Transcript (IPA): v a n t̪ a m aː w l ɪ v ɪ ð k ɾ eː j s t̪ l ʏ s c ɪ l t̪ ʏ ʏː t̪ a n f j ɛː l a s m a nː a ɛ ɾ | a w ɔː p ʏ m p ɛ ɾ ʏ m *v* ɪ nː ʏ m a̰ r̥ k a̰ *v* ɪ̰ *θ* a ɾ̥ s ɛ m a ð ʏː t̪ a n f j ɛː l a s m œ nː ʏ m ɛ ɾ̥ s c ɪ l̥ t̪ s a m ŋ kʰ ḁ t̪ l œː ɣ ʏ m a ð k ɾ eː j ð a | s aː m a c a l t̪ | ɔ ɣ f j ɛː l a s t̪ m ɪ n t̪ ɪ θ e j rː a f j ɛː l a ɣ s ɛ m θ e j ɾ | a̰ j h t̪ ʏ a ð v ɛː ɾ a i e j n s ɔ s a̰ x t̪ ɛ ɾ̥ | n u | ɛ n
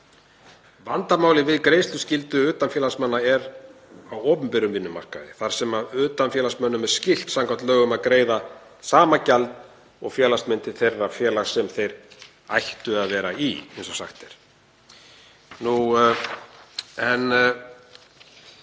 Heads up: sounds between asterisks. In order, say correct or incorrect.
correct, incorrect: ð, correct

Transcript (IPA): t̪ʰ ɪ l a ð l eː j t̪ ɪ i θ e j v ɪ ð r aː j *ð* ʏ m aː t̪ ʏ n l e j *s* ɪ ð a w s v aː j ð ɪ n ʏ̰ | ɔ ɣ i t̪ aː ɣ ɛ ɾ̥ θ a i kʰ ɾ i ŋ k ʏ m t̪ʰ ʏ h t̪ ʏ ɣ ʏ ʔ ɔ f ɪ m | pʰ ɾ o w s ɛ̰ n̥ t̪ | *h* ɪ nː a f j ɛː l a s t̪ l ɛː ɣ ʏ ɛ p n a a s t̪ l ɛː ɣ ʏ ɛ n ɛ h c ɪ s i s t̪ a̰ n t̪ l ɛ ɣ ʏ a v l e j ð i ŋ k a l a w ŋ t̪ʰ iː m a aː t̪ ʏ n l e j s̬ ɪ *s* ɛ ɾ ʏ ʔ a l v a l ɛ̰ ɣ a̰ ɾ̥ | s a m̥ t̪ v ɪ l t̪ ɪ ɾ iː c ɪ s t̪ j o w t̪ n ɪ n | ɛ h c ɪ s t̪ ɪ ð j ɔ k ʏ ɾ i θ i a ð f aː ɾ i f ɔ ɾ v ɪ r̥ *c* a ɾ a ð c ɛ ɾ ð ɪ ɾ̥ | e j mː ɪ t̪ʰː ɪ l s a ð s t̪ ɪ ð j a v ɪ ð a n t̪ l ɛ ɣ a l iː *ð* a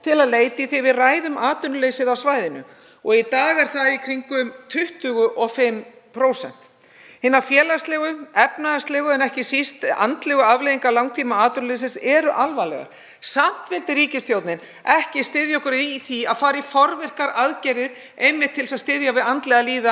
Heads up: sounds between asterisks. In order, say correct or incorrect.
correct, correct, correct, correct, incorrect: k, correct

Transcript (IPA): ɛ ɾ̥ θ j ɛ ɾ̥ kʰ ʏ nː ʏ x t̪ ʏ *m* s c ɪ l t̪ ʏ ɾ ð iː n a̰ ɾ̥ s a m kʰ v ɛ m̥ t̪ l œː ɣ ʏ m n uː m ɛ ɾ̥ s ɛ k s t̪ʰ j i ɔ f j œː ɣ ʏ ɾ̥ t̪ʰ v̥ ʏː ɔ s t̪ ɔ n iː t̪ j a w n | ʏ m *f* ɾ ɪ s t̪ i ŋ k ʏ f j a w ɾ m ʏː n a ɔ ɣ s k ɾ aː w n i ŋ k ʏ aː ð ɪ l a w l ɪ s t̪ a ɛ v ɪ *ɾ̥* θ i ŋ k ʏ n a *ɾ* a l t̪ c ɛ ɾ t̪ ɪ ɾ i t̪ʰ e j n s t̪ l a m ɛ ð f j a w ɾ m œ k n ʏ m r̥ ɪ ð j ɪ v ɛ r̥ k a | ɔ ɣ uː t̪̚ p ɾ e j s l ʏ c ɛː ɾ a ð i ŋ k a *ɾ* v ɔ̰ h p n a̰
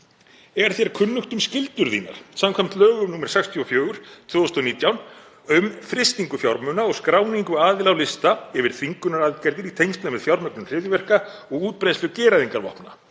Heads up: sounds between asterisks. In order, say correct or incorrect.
correct, correct, correct, correct, correct

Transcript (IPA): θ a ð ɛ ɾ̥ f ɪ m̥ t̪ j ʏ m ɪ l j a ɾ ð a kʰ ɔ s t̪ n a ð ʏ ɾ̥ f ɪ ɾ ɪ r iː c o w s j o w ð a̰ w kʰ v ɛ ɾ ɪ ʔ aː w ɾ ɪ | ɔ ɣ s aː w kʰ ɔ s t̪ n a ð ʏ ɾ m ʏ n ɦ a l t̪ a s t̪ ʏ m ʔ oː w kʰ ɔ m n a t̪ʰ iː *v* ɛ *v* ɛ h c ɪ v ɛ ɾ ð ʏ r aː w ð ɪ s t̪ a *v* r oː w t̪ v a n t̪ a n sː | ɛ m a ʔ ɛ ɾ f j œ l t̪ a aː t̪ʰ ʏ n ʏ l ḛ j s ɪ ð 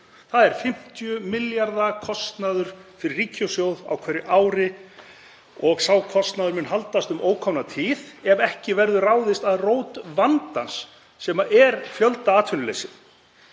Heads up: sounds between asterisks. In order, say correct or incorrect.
incorrect: ð, correct, incorrect: ð

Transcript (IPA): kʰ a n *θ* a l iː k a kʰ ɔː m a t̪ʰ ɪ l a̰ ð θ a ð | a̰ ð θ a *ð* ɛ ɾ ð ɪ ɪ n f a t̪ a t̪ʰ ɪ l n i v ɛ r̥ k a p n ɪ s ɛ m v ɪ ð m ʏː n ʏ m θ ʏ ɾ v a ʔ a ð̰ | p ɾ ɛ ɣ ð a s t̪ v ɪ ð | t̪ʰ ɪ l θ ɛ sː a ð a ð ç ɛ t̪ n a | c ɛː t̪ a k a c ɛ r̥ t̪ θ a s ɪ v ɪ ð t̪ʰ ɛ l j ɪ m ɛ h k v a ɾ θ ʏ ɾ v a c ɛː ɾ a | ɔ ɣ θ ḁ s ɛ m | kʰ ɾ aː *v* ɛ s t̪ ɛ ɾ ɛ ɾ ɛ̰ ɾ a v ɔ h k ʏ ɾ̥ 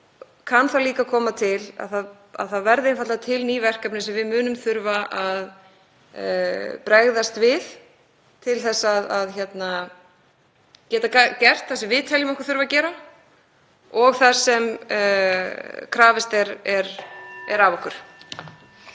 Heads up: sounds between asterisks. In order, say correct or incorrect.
correct, incorrect: v, correct

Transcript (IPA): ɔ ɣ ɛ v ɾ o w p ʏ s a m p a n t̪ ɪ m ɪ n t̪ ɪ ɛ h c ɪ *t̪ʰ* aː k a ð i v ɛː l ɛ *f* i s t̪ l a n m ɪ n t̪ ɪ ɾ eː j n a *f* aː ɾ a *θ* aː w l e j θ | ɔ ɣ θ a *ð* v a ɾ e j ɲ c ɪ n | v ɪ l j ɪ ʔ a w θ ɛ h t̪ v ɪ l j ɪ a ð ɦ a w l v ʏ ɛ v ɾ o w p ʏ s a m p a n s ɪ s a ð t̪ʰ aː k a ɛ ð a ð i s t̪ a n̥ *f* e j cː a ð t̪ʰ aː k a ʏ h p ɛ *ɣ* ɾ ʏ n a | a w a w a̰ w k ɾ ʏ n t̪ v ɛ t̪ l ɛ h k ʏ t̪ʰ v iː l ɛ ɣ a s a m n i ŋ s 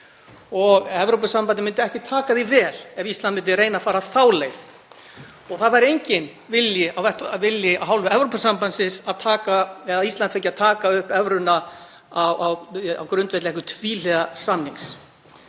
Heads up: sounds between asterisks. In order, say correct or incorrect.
correct, incorrect: v, correct, correct, correct, correct, incorrect: v

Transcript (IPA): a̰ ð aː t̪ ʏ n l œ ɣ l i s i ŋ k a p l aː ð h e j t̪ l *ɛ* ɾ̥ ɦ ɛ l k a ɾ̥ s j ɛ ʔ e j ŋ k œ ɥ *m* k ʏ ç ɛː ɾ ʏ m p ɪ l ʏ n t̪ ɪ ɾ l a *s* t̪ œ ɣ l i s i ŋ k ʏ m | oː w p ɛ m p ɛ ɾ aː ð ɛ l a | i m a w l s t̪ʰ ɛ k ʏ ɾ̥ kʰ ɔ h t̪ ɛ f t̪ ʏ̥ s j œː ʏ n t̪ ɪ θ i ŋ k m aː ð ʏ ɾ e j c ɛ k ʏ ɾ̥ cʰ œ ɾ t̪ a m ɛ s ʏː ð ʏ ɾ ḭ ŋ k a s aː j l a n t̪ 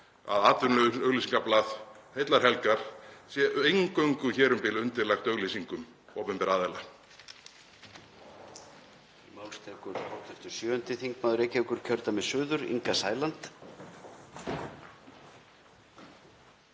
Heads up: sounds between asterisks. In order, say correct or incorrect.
incorrect: a, incorrect: ŋ, incorrect: x

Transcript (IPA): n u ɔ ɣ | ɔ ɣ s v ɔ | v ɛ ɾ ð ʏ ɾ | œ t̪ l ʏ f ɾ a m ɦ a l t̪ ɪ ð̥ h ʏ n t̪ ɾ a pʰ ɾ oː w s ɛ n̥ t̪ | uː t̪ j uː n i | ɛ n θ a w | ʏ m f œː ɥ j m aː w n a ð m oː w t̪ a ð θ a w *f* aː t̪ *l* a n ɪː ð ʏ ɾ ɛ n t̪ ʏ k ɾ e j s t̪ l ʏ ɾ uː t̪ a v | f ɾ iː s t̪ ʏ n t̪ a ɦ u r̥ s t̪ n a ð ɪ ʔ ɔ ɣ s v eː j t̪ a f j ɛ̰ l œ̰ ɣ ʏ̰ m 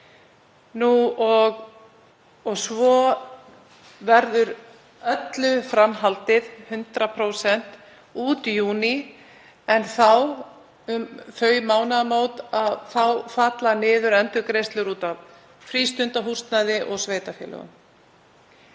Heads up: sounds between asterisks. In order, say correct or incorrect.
correct, correct

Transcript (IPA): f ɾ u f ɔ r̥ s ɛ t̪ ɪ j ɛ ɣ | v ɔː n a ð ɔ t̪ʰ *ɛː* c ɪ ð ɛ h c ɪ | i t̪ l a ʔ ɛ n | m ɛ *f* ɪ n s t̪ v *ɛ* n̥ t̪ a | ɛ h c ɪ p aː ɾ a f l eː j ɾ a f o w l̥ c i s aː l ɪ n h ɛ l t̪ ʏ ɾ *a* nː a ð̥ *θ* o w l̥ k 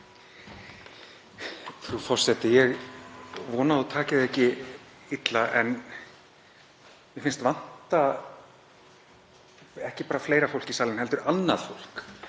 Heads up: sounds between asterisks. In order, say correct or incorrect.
incorrect: aː, correct, incorrect: a, correct, incorrect: f

